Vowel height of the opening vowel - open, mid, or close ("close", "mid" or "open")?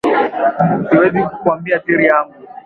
close